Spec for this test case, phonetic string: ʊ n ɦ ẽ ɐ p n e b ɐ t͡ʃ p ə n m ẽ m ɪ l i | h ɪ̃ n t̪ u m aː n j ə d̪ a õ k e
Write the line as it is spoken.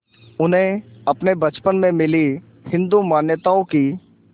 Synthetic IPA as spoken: ʊ n ɦ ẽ ɐ p n e b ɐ t͡ʃ p ə n m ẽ m ɪ l i | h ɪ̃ n d̪ u m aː n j ə t̪ a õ k i

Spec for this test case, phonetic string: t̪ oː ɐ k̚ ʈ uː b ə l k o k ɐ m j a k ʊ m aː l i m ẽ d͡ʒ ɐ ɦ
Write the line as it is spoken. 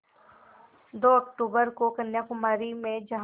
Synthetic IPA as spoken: d̪ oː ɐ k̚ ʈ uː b ə ɾ k o k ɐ n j a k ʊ m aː ɾ i m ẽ d͡ʒ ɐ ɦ

